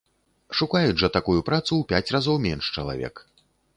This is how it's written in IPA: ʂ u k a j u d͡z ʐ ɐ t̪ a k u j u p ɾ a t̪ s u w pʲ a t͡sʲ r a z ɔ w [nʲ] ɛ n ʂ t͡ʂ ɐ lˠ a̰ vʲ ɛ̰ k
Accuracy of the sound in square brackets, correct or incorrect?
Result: incorrect